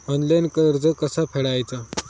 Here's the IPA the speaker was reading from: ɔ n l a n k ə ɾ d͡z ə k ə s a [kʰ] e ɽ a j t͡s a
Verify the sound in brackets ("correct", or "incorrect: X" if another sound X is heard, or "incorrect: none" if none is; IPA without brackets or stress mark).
incorrect: pʰ